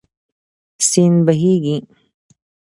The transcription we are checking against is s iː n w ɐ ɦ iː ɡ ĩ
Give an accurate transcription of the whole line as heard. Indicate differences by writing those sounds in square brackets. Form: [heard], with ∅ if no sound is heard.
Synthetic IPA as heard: s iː n [b] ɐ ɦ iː ɡ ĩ